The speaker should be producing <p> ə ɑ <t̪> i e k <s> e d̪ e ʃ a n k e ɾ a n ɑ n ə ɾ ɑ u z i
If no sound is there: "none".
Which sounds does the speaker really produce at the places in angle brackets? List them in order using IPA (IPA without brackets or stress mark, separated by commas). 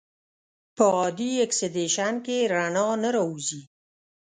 p, d̪, s